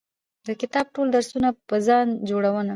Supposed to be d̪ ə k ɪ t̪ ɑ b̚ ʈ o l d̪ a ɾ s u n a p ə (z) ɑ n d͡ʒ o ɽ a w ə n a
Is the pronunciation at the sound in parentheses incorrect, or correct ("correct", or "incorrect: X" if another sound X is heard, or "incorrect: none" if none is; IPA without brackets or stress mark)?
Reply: correct